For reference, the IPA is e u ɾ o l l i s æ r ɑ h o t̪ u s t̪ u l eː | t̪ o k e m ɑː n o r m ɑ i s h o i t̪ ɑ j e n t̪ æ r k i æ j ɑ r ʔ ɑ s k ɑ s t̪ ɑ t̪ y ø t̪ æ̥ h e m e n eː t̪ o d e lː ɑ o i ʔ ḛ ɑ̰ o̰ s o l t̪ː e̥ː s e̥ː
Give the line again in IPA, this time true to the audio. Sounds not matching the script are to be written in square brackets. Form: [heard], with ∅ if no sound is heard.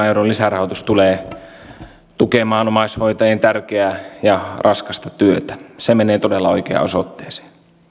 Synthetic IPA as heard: e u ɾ o l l i s æ r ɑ h o t̪ u s t̪ u l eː | t̪ [u] k e m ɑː n o [∅] m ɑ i s h o i t̪ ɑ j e n t̪ æ r k [e] æ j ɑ r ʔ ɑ s k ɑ s t̪ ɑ t̪ y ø t̪ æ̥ [s] e m e n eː t̪ o d e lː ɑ o i [k] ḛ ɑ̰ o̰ s o [∅] t̪ː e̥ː s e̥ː